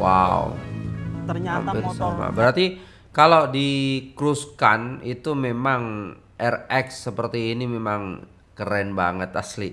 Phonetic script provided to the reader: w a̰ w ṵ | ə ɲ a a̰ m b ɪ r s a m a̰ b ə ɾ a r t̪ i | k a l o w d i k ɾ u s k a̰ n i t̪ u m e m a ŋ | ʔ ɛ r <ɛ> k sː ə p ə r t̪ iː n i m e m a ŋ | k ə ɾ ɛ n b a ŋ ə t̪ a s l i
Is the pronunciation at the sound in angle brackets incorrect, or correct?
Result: correct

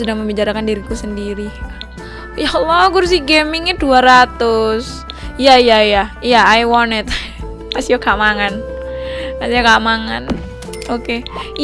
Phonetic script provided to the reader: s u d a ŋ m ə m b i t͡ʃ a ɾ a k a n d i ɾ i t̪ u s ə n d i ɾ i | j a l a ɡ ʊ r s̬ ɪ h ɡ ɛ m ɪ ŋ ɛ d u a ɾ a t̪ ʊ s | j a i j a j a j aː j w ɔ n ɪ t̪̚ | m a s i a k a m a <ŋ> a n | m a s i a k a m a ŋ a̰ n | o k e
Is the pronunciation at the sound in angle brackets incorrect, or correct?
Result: correct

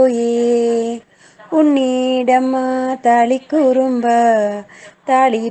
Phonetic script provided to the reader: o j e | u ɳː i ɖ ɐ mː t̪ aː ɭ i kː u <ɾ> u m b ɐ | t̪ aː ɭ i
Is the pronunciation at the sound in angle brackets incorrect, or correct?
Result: correct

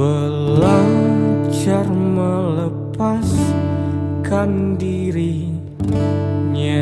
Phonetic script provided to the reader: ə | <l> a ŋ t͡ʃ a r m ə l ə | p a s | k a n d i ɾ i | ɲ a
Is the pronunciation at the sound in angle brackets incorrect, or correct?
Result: correct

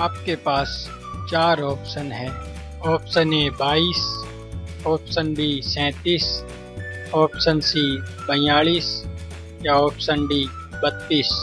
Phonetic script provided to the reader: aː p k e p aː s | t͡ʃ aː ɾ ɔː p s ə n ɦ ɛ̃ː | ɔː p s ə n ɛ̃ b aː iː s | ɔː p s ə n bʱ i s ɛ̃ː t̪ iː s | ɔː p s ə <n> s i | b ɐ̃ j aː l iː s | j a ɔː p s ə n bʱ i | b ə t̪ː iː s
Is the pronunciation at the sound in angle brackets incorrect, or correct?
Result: correct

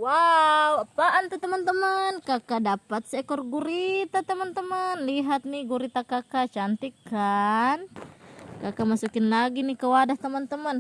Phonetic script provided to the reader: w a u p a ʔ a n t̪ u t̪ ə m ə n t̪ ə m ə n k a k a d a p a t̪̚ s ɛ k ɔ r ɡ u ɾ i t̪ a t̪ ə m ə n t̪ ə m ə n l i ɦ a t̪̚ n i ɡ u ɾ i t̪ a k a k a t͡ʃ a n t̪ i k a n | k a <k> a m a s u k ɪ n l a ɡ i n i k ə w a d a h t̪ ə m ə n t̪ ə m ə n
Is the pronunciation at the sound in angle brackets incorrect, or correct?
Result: correct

